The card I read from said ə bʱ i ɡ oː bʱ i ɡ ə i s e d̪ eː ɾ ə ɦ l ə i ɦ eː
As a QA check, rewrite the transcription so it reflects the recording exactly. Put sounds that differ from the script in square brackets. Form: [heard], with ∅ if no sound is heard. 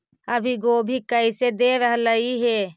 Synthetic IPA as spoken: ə bʱ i ɡ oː bʱ i [k] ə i s e d̪ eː ɾ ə ɦ l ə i ɦ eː